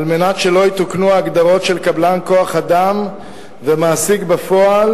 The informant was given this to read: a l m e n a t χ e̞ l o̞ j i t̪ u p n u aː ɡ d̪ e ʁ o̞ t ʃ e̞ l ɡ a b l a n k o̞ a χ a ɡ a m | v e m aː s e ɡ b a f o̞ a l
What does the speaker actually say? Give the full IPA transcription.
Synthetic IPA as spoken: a l m e n a t ʃ e̞ l o̞ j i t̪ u k n u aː ɡ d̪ a ʁ o̞ t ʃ e̞ l k a b l a n k o̞ a χ a d a m | v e m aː s i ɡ b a f o̞ a l